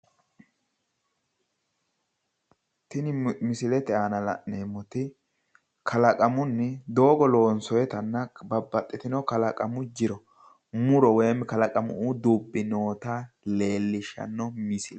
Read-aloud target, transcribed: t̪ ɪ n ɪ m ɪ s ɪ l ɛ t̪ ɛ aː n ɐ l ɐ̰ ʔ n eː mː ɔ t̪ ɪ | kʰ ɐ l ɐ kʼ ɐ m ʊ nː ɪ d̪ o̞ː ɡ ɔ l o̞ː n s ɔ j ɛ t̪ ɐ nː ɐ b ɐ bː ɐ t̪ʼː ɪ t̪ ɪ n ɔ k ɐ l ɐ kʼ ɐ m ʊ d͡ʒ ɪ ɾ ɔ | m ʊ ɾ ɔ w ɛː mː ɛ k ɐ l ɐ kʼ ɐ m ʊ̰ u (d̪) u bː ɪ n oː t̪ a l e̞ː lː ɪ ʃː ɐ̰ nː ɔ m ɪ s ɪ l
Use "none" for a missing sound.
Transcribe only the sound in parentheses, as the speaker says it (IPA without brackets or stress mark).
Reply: d̪